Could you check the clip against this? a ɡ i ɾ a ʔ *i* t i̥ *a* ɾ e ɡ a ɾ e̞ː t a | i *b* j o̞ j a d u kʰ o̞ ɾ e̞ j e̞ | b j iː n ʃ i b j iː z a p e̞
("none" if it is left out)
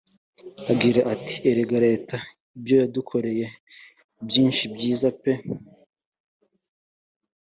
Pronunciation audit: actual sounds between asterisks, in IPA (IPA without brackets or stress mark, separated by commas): a, e, b